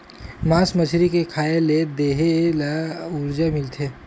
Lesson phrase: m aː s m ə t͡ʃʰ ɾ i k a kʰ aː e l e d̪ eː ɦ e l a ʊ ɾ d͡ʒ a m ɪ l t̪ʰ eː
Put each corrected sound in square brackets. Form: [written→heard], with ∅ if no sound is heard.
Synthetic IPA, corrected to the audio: m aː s m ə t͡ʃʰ ɾ i k [a→e] kʰ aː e l e d̪ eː ɦ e l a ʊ ɾ d͡ʒ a m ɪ l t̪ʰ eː